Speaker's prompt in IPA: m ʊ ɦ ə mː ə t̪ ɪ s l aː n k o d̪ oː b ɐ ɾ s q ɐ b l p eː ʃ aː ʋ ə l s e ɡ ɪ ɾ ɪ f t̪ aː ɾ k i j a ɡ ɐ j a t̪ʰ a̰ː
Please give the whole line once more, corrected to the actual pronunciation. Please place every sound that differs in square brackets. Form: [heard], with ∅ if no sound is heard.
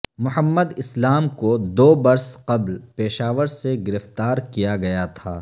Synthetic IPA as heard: m ʊ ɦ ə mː ə [d̪] ɪ s l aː [m] k o d̪ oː b ɐ ɾ s q ɐ b l p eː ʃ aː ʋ ə [ɾ] s e ɡ ɪ ɾ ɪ f t̪ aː ɾ k i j a ɡ ɐ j a t̪ʰ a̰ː